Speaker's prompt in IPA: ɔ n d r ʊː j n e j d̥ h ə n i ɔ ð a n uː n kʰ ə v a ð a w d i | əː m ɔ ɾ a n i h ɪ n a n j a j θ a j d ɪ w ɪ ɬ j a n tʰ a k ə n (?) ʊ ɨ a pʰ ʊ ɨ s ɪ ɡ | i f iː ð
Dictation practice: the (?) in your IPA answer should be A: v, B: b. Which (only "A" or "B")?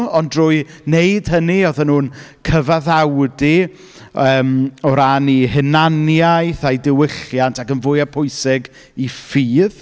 A